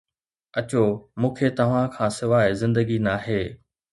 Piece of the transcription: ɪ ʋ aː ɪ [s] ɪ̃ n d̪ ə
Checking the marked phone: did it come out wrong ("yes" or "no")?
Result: yes